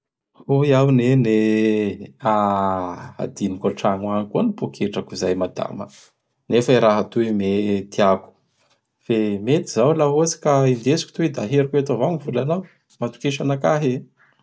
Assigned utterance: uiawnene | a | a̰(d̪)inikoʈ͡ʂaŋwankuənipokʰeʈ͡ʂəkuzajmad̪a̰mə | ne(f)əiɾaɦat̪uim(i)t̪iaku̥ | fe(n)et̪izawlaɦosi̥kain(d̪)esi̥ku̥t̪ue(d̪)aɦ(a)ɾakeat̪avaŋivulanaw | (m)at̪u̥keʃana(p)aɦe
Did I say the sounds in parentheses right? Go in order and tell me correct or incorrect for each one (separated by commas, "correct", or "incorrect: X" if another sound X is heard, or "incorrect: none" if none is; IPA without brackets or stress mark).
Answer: correct, correct, incorrect: e, incorrect: m, correct, correct, incorrect: e, correct, incorrect: k